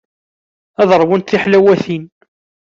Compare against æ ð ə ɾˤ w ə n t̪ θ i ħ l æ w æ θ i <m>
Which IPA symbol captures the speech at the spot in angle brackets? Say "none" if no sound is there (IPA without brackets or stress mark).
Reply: n